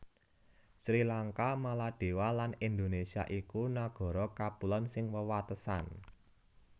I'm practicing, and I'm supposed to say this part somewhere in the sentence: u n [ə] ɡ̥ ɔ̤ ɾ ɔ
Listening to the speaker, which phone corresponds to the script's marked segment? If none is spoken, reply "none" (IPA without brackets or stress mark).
a